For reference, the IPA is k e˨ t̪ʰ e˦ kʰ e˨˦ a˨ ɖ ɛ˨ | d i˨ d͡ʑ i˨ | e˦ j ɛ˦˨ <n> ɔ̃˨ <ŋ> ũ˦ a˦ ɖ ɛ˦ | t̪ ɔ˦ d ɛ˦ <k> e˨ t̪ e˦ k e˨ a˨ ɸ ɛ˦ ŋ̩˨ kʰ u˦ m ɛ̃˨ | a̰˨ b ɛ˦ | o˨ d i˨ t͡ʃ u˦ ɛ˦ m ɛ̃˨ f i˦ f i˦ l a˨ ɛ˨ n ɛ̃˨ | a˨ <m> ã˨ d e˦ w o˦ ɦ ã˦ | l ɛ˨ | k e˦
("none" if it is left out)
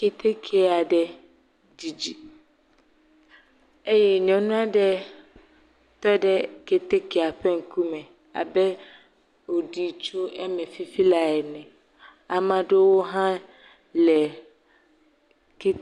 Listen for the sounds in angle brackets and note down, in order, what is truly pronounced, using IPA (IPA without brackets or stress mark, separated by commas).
ɲ, n, k, m